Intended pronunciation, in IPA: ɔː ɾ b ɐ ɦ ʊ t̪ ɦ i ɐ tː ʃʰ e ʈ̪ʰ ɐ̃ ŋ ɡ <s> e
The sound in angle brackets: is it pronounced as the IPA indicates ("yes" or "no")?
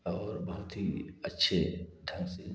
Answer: yes